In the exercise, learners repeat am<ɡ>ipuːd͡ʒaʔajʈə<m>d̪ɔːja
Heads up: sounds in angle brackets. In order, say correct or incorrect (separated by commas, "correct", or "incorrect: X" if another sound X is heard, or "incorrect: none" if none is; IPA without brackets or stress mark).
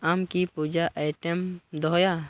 incorrect: k, correct